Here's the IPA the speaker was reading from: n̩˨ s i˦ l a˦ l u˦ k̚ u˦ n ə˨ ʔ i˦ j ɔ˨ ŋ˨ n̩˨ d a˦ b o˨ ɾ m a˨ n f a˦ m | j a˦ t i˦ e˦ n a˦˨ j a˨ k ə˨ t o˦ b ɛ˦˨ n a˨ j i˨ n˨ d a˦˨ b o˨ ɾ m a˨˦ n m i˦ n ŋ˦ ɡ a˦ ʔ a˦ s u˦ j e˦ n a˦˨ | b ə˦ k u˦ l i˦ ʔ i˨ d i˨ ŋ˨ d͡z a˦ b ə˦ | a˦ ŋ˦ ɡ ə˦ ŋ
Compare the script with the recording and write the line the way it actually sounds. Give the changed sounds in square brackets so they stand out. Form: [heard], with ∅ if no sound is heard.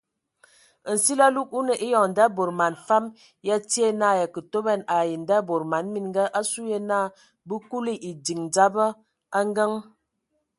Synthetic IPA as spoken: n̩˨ s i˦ l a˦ l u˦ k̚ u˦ n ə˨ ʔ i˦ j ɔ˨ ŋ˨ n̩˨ d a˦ b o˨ ɾ m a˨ n f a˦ m | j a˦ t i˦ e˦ n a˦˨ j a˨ k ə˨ t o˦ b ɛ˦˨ n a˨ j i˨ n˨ d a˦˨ b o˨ ɾ m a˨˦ n m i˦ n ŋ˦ ɡ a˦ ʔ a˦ s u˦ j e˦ n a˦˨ | b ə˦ k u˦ l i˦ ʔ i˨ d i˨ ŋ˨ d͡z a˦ b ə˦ | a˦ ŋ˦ ɡ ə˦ ŋ